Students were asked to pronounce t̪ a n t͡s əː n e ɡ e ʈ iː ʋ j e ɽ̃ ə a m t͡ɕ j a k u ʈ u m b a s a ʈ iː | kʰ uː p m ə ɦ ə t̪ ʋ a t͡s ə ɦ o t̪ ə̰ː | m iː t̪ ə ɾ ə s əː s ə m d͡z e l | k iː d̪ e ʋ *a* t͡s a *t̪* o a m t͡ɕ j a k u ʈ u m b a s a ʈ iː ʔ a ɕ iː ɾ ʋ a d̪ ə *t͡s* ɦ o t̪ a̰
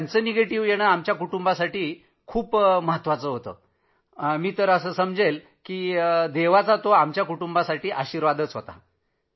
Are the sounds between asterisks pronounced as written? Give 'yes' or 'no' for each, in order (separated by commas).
yes, yes, yes